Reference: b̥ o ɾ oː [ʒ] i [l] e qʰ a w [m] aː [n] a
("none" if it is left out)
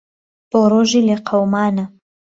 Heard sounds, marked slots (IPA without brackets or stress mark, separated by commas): ʒ, l, m, n